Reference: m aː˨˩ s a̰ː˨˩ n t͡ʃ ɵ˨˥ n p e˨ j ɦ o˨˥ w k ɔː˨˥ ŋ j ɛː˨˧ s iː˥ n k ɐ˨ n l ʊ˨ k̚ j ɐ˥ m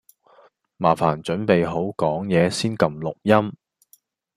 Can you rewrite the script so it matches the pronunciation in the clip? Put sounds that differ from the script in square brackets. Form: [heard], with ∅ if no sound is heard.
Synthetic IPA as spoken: m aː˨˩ [f] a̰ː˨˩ n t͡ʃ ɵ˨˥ n p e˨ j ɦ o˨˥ w k ɔː˨˥ ŋ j ɛː˨˧ s iː˥ n k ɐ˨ [m] l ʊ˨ k̚ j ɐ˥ m